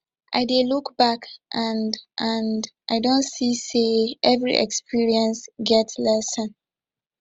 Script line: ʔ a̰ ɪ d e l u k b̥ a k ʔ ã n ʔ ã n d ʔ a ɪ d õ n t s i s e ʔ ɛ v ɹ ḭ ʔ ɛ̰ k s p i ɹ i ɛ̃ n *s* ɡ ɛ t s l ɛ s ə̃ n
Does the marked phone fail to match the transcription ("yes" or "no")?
no